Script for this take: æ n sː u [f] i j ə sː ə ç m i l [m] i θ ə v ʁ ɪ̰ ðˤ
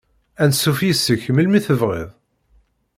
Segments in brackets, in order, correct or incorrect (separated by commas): correct, correct